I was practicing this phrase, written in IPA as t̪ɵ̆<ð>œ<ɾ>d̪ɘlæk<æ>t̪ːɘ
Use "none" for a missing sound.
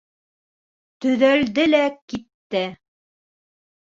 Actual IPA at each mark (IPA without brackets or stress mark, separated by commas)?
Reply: ð, l, i